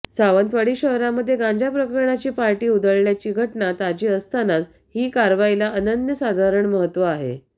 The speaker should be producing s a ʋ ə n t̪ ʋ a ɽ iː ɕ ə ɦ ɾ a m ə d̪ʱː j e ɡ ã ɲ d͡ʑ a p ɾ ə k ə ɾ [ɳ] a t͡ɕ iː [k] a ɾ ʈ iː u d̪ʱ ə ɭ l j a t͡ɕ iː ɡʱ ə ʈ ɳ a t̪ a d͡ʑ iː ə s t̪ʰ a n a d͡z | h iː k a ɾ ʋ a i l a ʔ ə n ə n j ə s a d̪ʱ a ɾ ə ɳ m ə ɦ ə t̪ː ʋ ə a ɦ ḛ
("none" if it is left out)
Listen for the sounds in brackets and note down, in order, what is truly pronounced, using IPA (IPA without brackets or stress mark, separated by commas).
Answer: ɳ, p